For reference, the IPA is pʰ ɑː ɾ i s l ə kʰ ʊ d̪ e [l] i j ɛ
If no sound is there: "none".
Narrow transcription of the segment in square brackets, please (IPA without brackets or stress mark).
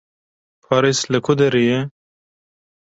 ɾ